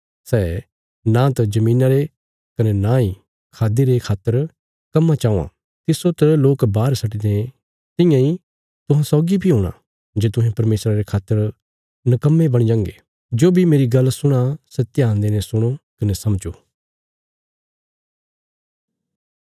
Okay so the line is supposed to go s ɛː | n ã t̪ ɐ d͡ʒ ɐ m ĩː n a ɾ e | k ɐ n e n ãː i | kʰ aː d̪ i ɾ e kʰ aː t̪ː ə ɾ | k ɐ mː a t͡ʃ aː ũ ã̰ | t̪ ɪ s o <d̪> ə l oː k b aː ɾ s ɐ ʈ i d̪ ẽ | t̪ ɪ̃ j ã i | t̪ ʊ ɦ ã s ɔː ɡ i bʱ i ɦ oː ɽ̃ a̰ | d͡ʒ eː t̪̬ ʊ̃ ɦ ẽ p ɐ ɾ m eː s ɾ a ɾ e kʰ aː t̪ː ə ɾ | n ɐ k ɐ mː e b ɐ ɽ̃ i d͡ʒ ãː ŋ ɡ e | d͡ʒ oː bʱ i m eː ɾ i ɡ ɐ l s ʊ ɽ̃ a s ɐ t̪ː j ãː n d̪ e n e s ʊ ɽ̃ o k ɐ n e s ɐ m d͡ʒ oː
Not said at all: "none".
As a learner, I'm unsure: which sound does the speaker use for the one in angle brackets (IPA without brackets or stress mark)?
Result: t̪